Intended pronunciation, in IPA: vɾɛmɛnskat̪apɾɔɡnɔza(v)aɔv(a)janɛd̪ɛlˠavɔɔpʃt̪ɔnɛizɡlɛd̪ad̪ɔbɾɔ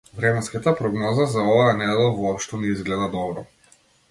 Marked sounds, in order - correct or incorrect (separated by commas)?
incorrect, correct